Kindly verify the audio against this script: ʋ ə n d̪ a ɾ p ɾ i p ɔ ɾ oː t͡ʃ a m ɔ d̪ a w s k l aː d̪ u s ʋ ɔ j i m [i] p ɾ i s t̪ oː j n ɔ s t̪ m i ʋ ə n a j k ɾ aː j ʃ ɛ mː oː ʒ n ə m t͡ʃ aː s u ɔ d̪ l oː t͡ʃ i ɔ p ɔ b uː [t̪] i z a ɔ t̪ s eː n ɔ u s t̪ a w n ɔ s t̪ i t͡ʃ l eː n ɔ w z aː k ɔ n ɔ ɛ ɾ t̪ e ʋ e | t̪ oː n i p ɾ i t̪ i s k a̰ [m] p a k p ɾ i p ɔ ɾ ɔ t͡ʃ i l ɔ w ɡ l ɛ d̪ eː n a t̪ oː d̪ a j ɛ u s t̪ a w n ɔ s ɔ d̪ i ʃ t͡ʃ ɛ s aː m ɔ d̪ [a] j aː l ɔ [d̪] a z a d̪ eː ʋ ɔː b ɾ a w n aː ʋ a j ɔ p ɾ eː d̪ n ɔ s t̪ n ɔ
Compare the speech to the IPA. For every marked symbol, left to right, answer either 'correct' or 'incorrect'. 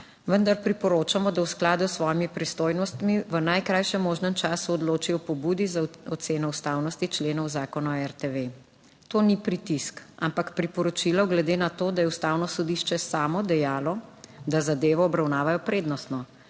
correct, incorrect, correct, incorrect, correct

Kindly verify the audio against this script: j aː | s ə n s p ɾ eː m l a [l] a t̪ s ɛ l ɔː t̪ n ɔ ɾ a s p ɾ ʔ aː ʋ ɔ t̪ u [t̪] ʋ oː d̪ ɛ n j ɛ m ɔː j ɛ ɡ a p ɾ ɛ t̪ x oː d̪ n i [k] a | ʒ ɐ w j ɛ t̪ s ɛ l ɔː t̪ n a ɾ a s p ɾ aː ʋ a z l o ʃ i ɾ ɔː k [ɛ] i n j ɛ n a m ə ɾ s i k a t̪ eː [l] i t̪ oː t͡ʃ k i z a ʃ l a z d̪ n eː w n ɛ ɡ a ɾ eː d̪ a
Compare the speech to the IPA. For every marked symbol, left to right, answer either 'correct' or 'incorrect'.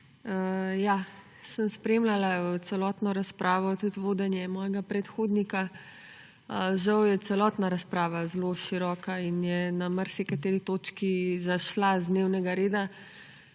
correct, correct, correct, incorrect, incorrect

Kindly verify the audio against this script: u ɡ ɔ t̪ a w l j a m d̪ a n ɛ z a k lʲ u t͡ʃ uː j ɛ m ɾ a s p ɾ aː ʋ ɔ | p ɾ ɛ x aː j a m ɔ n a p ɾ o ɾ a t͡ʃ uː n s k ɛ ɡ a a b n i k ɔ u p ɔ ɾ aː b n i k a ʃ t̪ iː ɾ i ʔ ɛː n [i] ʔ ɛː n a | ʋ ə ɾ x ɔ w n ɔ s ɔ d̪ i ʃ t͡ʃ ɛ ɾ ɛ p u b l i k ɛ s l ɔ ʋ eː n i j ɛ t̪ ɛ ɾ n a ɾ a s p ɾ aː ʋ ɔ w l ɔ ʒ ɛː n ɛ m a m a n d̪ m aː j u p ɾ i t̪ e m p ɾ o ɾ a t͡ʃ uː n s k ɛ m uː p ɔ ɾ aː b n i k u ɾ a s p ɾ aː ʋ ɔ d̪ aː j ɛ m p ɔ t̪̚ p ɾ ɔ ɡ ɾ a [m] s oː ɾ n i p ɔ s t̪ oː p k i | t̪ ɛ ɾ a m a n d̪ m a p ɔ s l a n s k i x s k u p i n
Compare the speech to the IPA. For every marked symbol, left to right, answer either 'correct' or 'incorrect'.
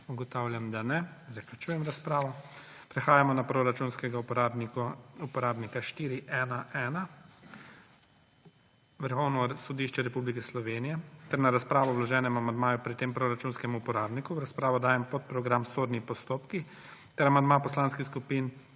incorrect, correct

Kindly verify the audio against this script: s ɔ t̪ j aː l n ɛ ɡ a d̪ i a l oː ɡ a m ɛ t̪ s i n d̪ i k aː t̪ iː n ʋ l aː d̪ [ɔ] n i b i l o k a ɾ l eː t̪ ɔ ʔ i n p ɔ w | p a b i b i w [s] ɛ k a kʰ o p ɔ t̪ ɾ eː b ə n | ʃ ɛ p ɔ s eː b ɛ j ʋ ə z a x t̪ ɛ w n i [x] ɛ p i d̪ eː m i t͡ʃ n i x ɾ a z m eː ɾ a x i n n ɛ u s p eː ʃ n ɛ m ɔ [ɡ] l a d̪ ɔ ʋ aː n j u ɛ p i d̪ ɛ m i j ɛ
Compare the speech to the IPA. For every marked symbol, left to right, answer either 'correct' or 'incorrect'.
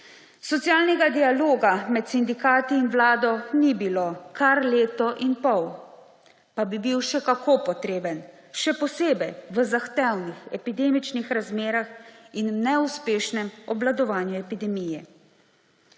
correct, incorrect, correct, incorrect

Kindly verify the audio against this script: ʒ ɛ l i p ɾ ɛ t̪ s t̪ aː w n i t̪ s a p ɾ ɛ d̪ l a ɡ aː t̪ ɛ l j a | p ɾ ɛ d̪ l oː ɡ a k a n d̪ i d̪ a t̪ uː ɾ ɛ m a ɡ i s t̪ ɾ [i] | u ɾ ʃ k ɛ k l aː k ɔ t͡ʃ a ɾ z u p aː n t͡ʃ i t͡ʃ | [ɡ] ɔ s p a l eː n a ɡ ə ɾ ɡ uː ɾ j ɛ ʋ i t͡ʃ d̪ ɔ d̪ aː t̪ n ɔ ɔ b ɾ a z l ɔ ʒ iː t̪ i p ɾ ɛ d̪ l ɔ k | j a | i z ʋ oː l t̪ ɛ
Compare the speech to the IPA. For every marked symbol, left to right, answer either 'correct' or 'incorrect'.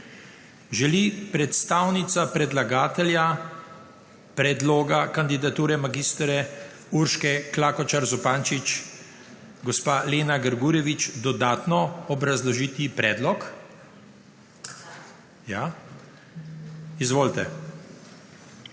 incorrect, correct

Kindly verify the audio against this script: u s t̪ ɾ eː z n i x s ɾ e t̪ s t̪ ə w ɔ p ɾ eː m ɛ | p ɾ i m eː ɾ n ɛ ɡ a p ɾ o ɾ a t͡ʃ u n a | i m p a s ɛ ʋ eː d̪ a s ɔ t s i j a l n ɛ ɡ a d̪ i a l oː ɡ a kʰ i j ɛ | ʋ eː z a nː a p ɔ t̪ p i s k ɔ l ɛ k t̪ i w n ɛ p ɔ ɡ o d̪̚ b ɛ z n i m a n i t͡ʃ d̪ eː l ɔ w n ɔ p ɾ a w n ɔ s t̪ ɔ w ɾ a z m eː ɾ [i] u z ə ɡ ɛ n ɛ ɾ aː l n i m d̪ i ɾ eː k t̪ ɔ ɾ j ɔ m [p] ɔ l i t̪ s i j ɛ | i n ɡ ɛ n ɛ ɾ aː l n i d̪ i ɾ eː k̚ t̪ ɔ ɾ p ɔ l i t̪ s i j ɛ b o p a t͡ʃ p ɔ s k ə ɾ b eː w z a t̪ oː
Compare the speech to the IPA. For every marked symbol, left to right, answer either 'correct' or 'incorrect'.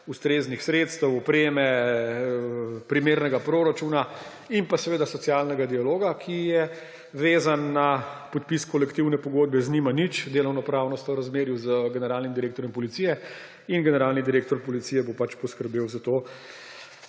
incorrect, correct

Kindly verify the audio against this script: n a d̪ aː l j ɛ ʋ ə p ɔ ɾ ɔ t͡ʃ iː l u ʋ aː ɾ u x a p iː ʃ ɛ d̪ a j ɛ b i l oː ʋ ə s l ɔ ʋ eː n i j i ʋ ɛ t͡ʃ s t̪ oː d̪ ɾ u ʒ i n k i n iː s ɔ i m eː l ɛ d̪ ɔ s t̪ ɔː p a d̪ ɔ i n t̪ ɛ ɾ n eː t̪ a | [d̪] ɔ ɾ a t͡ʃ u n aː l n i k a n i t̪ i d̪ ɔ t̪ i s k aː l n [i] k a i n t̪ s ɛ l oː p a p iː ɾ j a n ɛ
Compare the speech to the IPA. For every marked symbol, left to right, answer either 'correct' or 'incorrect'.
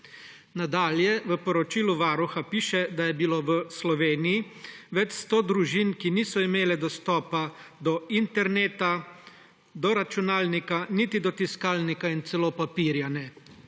correct, correct

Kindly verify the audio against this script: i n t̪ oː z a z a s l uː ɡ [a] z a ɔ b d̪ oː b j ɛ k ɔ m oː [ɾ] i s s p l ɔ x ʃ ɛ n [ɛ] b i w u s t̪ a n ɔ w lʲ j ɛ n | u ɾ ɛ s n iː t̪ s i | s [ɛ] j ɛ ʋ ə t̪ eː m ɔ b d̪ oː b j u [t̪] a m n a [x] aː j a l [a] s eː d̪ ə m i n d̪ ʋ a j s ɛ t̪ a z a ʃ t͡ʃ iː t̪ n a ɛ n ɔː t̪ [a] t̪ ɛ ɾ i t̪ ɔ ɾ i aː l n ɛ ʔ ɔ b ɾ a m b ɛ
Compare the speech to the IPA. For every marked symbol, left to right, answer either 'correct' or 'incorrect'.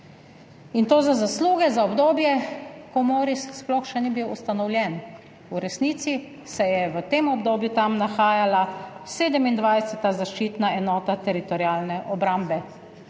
incorrect, correct, incorrect, correct, correct, correct, correct, correct

